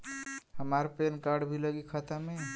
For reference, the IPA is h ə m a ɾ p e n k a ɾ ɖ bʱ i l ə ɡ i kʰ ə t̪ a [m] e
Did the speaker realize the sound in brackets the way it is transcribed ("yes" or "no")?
yes